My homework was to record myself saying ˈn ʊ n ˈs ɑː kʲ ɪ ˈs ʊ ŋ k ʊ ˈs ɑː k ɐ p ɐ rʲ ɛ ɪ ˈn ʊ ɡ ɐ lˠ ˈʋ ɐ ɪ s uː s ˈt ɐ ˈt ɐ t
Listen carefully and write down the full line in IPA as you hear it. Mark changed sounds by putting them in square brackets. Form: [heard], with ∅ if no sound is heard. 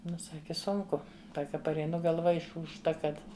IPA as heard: ˈn ʊ [∅] ˈs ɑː kʲ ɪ ˈs ʊ ŋ k ʊ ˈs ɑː k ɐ p ɐ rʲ ɛ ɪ ˈn ʊ ɡ ɐ lˠ ˈʋ ɐ ɪ [ʃ] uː [ʃ] ˈt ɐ [ˈk] ɐ t